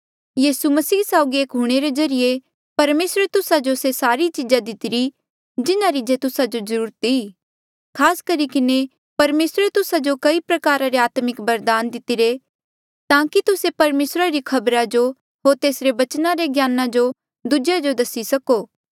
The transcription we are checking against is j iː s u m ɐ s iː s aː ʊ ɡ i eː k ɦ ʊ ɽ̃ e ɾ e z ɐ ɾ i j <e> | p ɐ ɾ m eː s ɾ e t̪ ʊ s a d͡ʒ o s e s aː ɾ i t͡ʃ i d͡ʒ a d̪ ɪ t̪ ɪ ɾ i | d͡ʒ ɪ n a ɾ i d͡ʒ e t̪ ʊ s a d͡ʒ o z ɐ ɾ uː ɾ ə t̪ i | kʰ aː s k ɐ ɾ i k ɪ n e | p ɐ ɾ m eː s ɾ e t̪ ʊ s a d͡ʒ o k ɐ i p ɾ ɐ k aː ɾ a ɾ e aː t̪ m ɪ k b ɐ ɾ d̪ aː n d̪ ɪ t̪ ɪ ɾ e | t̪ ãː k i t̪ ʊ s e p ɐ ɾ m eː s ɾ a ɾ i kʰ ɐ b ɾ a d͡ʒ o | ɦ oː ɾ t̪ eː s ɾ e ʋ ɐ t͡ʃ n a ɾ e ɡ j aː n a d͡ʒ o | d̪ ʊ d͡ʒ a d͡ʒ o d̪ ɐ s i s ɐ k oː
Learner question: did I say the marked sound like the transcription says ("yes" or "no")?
yes